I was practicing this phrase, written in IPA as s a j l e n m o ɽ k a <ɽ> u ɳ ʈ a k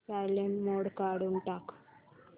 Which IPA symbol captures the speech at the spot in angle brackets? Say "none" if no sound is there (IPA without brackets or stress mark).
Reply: ɽ